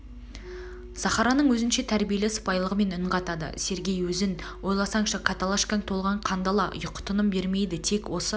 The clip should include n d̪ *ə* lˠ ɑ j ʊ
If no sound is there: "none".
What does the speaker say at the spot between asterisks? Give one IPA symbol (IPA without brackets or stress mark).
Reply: ɑ